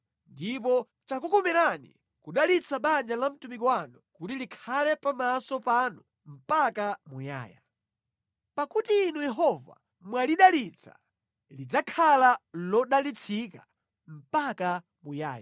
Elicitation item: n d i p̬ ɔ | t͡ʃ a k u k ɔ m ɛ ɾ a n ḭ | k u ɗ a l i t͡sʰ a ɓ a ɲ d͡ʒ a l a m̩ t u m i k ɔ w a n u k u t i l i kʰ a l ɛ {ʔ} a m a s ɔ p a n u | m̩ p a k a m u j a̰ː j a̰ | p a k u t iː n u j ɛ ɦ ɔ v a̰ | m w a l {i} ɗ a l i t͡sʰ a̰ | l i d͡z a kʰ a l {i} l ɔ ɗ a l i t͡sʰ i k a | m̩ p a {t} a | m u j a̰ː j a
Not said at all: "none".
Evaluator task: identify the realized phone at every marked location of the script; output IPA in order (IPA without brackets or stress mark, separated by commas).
p, i, a, k